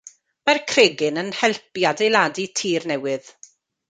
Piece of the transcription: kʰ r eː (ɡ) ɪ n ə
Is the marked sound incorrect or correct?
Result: correct